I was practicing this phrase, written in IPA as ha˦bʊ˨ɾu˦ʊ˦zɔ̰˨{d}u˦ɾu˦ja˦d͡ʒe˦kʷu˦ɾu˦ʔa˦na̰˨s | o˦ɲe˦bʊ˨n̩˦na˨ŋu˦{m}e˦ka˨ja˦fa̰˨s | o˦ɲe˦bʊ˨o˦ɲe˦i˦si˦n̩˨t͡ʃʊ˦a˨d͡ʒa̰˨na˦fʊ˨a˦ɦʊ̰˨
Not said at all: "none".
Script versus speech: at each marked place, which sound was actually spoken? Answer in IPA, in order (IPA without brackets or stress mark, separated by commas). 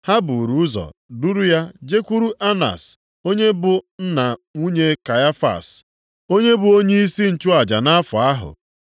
d, ɲ